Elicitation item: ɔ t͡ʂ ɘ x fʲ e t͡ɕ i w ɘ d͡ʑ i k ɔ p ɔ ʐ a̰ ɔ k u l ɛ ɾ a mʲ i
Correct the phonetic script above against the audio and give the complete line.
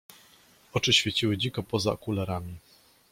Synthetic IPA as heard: ɔ t͡ʂ ɘ ɕ fʲ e t͡ɕ i w ɘ d͡ʑ i k ɔ p ɔ z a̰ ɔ k u l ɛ ɾ a mʲ i